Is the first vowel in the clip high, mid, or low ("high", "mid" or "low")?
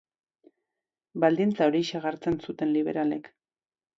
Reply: low